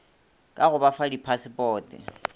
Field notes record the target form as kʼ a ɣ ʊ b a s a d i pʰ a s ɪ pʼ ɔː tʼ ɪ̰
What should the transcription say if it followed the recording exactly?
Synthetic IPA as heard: kʼ a ɣ ʊ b a f a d i pʰ a s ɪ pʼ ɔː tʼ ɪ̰

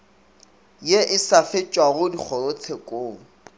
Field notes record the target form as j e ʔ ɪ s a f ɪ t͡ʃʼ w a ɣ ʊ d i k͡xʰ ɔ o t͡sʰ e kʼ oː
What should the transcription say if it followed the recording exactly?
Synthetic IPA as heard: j e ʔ ɪ s a f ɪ t͡ʃʼ w a ɣ ʊ d i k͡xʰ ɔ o t͡sʰ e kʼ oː

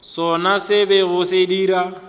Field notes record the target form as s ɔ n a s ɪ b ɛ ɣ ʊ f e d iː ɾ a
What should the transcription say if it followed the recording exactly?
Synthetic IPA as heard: s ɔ n a s ɪ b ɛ ɣ ʊ s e d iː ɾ a

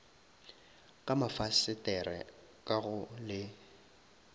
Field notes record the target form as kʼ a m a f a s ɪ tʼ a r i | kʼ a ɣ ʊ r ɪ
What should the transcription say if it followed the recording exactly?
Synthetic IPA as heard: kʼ a m a f a s ɪ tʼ ɛ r ɛ | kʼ a ɣ ʊ l ɪ

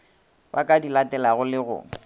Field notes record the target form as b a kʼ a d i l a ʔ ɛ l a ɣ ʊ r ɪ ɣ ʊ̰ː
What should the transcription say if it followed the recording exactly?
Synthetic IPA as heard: b a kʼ a d i l a t ɛ l a ɣ ʊ l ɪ ɣ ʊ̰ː

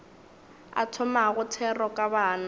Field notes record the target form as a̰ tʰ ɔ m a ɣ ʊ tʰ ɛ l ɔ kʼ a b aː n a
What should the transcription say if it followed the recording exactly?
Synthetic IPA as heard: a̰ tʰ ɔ m a ɣ ʊ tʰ ɛ r ɔ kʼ a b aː n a

